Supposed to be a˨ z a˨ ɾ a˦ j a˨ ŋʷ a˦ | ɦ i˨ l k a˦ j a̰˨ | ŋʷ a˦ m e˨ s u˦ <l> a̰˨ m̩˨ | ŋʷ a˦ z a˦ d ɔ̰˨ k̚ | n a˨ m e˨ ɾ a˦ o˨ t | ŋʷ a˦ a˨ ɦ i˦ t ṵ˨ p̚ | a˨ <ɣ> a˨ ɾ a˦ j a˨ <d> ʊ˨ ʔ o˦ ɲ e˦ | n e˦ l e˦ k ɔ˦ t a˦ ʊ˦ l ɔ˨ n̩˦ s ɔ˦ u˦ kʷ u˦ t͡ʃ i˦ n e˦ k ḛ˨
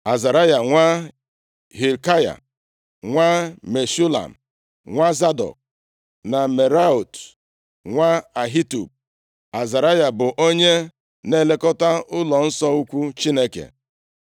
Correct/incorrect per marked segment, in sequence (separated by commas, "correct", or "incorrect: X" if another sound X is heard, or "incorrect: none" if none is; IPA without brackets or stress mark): correct, incorrect: z, incorrect: b